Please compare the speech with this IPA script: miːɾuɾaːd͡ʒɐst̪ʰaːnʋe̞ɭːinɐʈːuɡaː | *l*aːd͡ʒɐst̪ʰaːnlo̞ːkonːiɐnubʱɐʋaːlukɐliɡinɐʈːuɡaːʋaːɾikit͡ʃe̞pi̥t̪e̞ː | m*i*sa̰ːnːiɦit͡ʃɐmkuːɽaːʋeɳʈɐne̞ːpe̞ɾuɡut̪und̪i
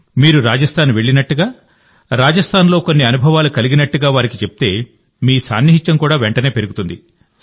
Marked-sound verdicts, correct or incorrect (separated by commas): incorrect, incorrect